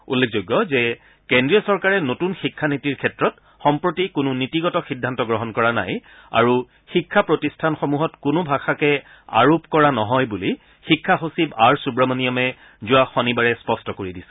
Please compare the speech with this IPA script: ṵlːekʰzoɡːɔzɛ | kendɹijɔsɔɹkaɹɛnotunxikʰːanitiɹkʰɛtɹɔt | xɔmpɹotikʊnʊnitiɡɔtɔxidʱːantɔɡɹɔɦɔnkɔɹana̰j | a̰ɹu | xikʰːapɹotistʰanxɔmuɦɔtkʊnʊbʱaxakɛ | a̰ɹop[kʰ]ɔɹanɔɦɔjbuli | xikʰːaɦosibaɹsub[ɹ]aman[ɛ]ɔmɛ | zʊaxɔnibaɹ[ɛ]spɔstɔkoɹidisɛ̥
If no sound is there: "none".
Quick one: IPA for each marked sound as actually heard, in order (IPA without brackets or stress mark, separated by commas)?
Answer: k, ɹ, i, ɛ